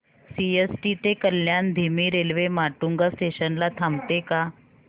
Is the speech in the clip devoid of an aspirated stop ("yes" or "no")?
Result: no